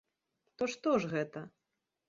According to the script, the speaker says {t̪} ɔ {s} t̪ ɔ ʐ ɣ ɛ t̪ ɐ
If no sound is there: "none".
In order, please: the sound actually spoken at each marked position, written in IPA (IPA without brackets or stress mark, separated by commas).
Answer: t̪, ʂ